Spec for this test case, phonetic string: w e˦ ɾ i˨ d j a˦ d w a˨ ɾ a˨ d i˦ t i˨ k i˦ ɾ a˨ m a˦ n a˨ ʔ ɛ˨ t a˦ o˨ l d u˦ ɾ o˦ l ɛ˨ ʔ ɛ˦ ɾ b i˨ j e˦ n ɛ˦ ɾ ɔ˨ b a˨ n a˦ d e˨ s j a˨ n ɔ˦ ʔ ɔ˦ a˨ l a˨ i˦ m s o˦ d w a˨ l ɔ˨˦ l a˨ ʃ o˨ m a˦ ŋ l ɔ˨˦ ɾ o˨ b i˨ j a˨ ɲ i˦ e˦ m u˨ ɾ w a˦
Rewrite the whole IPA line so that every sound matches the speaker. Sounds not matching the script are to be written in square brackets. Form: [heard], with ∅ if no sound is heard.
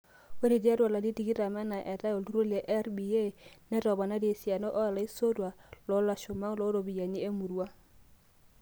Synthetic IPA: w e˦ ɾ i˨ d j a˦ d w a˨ [l] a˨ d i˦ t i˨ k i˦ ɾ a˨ m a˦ n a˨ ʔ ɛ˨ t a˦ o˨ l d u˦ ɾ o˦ l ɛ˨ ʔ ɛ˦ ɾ b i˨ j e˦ n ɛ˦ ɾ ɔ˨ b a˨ n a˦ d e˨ s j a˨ n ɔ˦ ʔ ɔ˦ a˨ l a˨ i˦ [∅] s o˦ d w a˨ l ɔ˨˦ l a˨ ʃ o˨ m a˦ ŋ l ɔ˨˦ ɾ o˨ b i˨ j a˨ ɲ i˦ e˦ m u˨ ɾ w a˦